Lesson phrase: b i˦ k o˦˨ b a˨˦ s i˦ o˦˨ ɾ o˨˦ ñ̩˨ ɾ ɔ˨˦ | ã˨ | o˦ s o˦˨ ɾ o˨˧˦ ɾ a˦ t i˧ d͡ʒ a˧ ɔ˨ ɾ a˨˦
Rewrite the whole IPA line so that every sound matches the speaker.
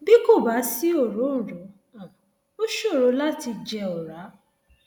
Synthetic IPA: b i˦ k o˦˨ b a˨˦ s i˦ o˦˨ ɾ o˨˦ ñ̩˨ ɾ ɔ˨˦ | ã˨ | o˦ ʃ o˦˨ ɾ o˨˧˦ l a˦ t i˧ d͡ʒ ɛ˧ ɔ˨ ɾ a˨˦

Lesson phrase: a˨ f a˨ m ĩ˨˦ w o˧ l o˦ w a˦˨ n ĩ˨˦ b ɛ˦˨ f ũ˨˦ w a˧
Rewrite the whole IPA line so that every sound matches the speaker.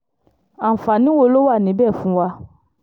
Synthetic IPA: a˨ f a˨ n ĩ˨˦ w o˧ l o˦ w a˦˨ n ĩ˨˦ b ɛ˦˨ f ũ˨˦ w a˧

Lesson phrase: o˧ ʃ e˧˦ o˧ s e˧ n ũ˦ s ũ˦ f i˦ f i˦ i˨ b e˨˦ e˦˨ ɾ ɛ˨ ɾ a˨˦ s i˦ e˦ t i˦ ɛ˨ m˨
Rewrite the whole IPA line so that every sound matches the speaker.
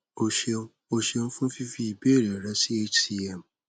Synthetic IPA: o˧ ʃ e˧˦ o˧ ʃ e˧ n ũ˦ f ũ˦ f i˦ f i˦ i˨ b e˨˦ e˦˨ ɾ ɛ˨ ɾ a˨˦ s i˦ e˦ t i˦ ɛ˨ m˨

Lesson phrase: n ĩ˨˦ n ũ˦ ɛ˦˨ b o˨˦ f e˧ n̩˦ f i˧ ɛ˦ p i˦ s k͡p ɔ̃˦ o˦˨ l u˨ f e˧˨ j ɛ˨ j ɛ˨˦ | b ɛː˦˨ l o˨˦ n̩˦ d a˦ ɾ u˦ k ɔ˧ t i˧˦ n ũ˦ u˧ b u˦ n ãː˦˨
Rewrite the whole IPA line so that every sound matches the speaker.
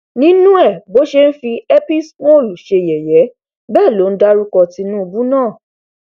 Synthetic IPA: n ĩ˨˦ n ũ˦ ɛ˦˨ b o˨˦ ʃ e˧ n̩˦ f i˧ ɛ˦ p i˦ s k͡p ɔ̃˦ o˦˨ l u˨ ʃ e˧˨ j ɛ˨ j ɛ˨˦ | b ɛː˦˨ l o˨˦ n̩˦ d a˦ ɾ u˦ k ɔ˧ t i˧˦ n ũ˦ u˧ b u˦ n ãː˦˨

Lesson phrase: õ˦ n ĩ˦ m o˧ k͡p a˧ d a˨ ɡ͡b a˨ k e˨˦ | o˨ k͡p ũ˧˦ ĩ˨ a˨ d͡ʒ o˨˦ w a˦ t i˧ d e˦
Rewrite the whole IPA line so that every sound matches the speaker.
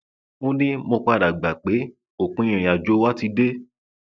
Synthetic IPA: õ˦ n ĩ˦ m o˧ k͡p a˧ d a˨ ɡ͡b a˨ k͡p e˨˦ | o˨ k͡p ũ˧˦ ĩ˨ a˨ d͡ʒ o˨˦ w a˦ t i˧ d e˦

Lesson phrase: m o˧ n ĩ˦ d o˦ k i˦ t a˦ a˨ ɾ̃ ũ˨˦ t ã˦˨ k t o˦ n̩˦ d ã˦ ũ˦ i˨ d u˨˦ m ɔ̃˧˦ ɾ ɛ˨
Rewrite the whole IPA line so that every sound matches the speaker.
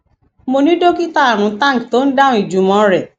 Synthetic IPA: m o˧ n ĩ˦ d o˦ k i˦ t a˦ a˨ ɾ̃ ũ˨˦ t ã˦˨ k t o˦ n̩˦ d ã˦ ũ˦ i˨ d͡ʒ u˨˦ m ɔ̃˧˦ ɾ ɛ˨

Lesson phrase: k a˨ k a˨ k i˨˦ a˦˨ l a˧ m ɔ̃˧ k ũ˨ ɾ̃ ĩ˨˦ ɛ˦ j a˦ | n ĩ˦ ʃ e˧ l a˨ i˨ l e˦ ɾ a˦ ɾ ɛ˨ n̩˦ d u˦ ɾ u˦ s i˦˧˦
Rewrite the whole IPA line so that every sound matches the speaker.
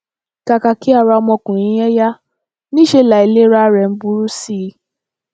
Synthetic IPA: k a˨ k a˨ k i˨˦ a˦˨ ɾ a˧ m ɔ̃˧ k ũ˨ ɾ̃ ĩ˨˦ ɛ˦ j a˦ | n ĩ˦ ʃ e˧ l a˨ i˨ l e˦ ɾ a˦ ɾ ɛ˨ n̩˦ b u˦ ɾ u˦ s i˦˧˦

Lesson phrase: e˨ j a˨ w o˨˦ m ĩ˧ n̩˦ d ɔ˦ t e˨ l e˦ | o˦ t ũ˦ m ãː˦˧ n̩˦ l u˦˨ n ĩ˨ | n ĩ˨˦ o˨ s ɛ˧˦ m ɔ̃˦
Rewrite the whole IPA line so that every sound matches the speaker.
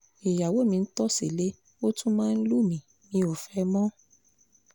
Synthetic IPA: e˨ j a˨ w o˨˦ m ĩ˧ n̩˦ t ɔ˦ s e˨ l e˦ | o˦ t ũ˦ m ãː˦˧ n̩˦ l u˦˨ m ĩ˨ | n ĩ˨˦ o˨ f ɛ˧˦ m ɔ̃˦

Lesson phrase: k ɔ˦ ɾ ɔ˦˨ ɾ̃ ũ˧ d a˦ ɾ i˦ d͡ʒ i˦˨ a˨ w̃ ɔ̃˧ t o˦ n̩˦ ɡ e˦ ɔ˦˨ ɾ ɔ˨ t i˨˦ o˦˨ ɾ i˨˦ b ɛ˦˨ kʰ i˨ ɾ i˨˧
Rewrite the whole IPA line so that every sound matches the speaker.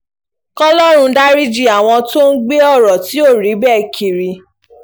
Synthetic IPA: k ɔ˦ l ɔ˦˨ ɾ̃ ũ˧ d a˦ ɾ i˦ d͡ʒ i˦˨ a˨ w̃ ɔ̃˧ t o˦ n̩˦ ɡ͡b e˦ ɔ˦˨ ɾ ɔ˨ t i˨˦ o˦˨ ɾ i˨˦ b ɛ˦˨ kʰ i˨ ɾ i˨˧

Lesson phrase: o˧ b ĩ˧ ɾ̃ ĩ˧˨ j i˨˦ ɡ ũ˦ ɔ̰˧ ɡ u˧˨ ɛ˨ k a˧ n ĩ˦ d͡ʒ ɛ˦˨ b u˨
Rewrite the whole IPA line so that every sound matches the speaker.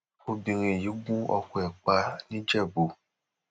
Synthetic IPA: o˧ b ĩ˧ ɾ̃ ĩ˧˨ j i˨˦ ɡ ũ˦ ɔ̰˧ k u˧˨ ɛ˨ k͡p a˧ n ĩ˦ d͡ʒ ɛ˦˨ b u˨

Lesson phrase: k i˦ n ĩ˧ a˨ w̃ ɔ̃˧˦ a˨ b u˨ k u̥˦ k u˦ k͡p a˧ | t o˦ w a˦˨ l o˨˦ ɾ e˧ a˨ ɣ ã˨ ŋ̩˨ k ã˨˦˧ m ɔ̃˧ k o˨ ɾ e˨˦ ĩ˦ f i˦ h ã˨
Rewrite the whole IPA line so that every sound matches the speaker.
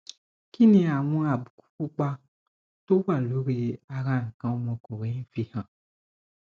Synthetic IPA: k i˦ n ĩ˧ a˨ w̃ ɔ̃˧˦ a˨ b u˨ k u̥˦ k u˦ k͡p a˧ | t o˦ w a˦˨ l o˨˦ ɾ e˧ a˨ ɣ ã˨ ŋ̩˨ k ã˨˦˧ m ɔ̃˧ k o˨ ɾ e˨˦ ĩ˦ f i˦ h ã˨

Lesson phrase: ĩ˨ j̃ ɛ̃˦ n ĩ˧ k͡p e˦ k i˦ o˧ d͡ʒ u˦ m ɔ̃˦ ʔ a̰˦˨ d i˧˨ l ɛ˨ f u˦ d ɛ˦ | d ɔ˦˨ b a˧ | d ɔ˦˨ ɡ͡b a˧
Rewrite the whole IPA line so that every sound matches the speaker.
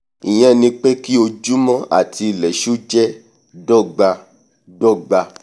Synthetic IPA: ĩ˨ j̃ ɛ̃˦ n ĩ˧ k͡p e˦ k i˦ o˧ d͡ʒ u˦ m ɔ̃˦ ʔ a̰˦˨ t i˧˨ l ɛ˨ ʃ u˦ d͡ʒ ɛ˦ | d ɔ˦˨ ɡ͡b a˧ | d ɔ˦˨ ɡ͡b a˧

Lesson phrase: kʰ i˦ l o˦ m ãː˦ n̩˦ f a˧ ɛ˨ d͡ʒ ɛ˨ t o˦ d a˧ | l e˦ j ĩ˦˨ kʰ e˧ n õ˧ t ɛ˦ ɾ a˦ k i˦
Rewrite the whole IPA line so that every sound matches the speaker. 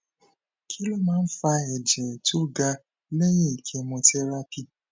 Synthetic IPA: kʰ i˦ l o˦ m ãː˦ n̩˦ f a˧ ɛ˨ d͡ʒ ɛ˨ t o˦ ɡ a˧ | l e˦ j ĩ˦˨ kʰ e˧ m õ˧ t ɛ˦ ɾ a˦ p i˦

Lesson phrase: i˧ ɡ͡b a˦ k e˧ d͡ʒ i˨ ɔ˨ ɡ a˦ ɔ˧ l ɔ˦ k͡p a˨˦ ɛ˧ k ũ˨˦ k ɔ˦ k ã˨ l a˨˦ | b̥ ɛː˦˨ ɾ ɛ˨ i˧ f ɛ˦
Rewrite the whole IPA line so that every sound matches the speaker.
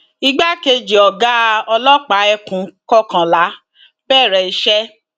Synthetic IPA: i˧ ɡ͡b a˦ k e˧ d͡ʒ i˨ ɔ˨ ɡ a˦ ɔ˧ l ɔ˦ k͡p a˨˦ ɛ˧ k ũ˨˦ k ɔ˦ k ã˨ l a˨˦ | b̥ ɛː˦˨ ɾ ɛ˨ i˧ ʃ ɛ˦

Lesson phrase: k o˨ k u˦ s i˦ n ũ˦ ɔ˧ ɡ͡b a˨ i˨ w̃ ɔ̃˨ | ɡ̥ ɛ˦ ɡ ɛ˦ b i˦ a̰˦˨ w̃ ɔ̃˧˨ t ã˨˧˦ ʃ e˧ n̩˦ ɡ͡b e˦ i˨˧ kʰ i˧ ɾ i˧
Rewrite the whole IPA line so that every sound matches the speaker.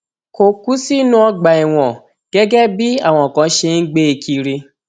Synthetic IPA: k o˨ k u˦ s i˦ n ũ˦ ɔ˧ ɡ͡b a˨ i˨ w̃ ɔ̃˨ | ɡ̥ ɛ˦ ɡ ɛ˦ b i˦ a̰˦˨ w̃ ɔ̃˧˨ k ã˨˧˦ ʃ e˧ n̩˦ ɡ͡b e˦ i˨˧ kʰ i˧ ɾ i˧

